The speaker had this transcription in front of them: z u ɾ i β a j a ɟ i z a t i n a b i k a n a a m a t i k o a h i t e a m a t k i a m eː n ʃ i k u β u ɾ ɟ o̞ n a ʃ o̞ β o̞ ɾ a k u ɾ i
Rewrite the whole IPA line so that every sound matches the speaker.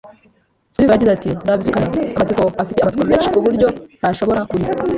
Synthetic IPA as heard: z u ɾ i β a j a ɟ i z a t i n a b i k a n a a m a t i k o a f i t e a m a t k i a m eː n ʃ i k u β u ɾ ɟ o̞ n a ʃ o̞ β o̞ ɾ a k u ɾ i

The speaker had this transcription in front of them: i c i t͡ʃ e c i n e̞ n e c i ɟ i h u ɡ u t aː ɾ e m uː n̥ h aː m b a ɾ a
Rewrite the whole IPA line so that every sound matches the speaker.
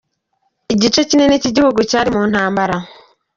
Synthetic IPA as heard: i ɟ i t͡ʃ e c i n e̞ n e c i ɟ i h u ɡ u c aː ɾ i m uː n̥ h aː m b a ɾ a

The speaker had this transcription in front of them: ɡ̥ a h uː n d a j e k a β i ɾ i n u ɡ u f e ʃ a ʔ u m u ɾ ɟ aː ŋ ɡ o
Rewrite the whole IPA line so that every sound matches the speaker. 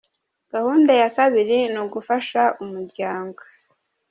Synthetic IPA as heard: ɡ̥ a h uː n d a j a k a β i ɾ i n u ɡ u f a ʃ a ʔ u m u ɾ ɟ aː ŋ ɡ o

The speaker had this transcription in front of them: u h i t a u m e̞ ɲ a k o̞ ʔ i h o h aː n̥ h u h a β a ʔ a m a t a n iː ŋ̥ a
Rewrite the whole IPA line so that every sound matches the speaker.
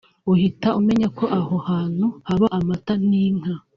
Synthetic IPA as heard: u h i t a u m e̞ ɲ a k o̞ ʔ a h o h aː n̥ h u h a β a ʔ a m a t a n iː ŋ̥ a

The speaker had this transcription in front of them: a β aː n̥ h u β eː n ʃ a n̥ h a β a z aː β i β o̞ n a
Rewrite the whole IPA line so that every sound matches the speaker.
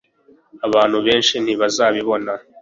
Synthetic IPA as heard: a β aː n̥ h u β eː n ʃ i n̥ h i β a z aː β i β o̞ n a

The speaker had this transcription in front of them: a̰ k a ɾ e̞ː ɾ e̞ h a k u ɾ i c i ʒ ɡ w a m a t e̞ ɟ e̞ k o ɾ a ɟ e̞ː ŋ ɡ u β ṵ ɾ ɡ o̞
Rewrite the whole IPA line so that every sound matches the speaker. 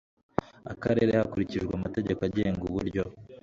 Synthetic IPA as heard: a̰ k a ɾ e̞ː ɾ e̞ h a k u ɾ i c i ʒ ɡ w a m a t e̞ ɟ e̞ k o a ɟ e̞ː ŋ ɡ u β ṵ ɾ ɟ o̞

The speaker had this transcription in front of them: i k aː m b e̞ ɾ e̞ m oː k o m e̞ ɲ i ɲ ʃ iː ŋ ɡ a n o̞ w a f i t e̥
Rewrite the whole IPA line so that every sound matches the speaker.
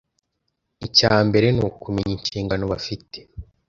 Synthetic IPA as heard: i c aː m b e̞ ɾ e̞ n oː k u m e̞ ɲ i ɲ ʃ iː ŋ ɡ a n o̞ β a f i t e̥

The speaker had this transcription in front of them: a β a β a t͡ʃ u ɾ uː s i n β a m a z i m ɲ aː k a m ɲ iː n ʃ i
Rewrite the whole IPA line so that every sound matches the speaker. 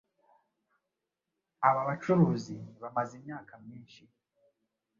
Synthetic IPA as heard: a β a β a t͡ʃ u ɾ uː z i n β a m a z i m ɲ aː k a m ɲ iː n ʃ i

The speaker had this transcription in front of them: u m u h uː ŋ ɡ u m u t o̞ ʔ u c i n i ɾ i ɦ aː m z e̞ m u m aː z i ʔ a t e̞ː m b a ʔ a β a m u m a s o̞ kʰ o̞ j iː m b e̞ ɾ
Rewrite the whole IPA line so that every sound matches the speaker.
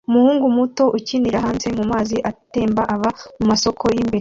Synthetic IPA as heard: u m u h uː ŋ ɡ u m u t o̞ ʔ u c i n i ɾ a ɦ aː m z e̞ m u m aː z i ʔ a t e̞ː m b a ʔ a β a m u m a s o̞ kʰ o̞ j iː m b e̞ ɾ

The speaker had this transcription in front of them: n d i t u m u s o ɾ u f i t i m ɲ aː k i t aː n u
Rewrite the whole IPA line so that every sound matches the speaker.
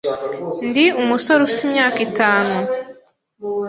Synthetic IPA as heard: n d i u m u s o ɾ u f i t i m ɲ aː k i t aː n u

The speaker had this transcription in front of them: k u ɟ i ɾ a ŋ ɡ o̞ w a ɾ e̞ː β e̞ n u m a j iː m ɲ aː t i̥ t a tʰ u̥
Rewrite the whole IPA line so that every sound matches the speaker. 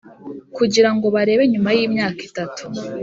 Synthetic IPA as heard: k u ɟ i ɾ a ŋ ɡ o̞ β a ɾ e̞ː β e̞ ɲ u m a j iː m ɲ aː k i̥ t a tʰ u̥

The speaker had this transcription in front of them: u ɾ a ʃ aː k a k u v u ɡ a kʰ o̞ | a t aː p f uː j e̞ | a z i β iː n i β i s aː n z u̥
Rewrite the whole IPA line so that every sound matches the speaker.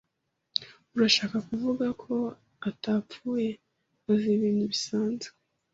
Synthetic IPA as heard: u ɾ a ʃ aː k a k u v u ɡ a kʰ o̞ | a t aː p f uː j e̞ | a z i β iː n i β i s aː n z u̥

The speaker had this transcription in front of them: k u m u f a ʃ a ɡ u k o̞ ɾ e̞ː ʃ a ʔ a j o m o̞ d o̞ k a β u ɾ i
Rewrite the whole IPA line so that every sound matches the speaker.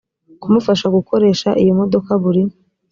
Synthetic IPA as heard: k u m u f a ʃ a ɡ u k o̞ ɾ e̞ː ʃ a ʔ i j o m o̞ d o̞ k a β u ɾ i

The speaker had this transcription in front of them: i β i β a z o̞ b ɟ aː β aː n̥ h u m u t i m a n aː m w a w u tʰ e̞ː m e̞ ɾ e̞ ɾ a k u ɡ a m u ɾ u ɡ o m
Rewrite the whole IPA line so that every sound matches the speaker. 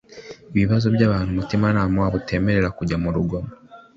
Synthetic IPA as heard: i β i β a z o̞ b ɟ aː β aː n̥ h u m u t i m a n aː m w a β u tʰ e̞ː m e̞ ɾ e̞ ɾ a k u ɟ a m u ɾ u ɡ o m

